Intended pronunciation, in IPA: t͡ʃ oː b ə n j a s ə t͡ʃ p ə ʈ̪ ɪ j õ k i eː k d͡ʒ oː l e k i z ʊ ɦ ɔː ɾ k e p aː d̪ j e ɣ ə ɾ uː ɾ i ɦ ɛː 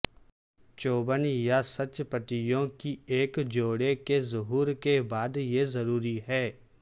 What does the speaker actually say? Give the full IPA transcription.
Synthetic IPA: t͡ʃ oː b ə n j a s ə t͡ʃ p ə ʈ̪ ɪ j õ k i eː k d͡ʒ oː ɽ e k e z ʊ ɦ uː ɾ k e b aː d̪ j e z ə ɾ uː ɾ i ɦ ɛː